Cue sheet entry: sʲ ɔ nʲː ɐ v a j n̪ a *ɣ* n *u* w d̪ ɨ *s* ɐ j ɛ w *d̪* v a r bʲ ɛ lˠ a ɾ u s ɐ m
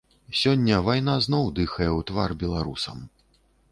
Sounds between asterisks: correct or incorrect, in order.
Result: incorrect: z, incorrect: ɔ, incorrect: x, incorrect: t̪

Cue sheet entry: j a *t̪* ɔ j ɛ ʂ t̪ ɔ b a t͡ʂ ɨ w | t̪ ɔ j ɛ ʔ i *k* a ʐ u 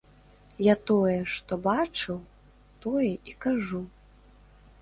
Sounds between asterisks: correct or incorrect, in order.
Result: correct, correct

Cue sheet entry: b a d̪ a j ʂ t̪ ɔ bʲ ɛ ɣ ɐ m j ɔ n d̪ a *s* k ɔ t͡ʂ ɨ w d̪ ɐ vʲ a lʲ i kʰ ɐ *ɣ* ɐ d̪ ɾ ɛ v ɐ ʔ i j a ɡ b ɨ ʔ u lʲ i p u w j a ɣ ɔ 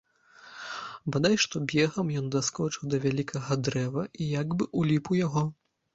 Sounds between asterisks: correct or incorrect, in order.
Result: correct, correct

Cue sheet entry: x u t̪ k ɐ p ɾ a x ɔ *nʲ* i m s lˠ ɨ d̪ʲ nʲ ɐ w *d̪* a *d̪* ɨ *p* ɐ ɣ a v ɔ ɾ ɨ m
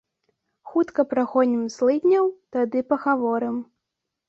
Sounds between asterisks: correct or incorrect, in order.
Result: correct, incorrect: t̪, correct, correct

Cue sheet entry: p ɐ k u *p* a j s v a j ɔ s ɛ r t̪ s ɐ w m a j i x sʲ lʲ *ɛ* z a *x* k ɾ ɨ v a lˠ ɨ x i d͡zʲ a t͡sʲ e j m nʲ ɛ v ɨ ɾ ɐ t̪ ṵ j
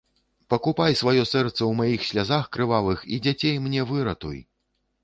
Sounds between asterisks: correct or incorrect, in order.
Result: correct, incorrect: a, correct

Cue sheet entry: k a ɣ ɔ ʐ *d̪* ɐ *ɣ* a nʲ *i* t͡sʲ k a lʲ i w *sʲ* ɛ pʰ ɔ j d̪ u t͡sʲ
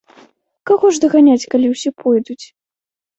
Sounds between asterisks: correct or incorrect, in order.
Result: correct, correct, incorrect: a, correct

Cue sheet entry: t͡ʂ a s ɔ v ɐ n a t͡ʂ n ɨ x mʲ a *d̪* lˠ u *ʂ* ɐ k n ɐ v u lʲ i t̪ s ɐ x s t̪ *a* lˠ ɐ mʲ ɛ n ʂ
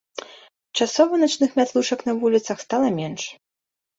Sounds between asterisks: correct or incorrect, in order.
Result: incorrect: t̪, correct, correct

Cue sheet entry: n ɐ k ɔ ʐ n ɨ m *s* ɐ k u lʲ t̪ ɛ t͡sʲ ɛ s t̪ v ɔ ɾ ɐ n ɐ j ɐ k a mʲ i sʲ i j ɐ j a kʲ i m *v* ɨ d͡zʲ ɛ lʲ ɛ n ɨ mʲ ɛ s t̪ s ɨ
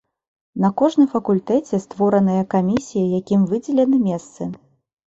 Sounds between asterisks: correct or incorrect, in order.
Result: incorrect: f, correct

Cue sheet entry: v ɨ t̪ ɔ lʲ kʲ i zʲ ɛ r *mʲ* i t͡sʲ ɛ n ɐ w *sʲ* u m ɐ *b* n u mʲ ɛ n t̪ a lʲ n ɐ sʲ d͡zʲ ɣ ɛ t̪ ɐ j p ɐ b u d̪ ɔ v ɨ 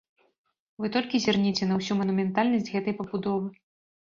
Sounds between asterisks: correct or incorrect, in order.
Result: incorrect: nʲ, correct, incorrect: none

